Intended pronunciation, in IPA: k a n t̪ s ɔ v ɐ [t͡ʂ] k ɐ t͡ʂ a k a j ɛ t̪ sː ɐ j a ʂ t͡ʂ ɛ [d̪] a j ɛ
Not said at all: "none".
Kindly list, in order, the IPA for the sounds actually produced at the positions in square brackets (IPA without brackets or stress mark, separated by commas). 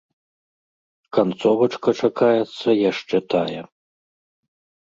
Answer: t͡ʂ, t̪